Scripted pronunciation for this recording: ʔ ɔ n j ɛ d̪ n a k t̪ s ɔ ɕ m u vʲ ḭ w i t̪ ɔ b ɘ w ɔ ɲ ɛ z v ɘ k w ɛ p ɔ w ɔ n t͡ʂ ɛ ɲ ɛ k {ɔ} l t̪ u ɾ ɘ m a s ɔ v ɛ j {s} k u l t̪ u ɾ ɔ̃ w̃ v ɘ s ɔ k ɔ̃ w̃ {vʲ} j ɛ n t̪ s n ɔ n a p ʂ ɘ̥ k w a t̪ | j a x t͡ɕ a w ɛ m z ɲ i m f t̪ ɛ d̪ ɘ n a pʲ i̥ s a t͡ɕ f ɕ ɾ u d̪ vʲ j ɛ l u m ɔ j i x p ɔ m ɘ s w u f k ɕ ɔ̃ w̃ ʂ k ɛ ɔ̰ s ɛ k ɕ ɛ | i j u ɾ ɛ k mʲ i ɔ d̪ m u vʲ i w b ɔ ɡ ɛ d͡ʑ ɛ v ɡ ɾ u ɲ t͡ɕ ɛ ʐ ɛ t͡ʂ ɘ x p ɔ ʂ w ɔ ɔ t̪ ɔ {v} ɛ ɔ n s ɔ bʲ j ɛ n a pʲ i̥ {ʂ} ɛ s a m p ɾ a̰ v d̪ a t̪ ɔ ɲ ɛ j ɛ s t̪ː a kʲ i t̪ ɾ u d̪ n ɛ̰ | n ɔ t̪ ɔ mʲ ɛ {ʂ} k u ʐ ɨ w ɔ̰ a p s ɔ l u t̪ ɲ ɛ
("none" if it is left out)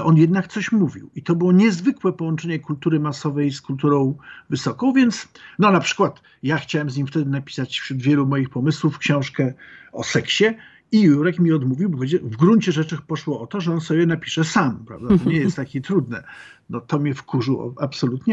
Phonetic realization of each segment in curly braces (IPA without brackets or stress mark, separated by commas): u, s, vʲ, ʐ, ʂ, f